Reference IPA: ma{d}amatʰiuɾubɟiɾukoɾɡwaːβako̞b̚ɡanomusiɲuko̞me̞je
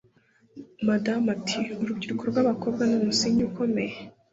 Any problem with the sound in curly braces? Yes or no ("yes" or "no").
no